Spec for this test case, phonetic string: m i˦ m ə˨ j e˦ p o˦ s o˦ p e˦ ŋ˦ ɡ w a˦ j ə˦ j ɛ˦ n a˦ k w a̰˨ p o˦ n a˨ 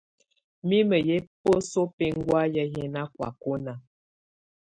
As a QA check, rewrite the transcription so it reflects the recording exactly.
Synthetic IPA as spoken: m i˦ m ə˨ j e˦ p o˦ s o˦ p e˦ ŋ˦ ɡ w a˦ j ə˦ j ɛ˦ n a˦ k w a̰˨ k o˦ n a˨